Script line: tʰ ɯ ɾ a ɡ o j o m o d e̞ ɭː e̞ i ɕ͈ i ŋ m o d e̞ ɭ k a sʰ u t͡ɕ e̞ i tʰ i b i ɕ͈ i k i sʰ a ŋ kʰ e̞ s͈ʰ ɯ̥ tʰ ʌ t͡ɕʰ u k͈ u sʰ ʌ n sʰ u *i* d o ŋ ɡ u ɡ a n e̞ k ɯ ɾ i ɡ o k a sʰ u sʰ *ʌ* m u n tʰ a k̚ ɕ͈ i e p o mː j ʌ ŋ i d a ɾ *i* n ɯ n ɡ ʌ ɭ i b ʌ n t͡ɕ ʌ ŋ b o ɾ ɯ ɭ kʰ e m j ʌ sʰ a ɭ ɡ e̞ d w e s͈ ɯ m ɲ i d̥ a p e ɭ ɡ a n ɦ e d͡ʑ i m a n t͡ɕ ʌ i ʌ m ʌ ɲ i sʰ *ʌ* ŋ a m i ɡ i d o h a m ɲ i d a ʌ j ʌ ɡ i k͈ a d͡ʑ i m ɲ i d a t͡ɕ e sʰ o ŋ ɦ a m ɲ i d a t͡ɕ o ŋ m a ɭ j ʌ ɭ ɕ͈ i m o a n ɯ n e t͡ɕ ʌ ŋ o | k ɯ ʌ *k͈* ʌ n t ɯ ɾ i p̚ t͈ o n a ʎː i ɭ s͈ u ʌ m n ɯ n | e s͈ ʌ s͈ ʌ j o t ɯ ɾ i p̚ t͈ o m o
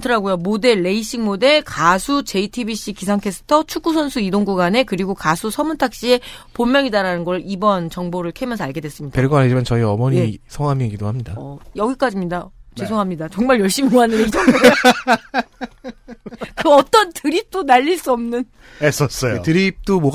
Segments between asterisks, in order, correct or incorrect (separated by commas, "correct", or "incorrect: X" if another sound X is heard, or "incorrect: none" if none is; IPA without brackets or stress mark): correct, correct, incorrect: a, correct, incorrect: t͈